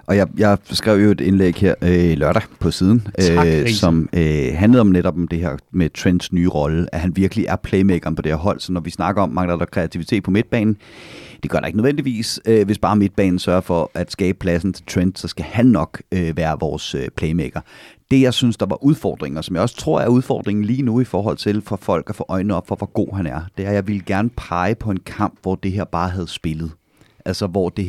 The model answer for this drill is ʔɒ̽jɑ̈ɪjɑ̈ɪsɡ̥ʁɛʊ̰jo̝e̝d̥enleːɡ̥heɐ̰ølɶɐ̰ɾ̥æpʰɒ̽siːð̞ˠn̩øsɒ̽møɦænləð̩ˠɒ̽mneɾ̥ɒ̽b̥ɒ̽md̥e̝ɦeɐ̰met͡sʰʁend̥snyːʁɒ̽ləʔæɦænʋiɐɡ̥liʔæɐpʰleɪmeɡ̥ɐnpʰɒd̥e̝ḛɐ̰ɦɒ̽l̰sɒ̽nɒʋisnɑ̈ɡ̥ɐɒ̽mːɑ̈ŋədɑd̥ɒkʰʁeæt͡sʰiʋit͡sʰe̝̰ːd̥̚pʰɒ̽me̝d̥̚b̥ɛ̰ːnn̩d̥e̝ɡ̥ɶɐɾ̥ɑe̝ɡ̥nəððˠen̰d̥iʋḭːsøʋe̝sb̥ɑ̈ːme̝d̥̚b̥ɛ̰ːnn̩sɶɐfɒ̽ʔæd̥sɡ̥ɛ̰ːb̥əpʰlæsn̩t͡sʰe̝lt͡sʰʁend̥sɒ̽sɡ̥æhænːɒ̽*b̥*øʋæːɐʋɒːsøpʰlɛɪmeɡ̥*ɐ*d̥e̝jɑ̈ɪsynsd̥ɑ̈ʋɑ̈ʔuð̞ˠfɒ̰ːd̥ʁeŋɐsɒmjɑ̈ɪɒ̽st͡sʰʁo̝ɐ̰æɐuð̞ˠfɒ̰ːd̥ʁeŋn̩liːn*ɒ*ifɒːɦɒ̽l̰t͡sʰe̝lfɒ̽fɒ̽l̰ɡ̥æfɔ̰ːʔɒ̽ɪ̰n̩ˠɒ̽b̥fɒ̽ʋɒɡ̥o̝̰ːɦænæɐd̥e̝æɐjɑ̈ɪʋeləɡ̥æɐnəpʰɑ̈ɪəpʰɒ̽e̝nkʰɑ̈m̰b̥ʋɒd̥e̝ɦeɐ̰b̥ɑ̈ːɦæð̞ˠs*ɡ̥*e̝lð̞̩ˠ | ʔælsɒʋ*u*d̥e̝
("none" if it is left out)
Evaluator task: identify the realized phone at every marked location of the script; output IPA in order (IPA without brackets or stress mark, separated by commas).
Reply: ɡ̥, ɐ, u, b̥, ɒ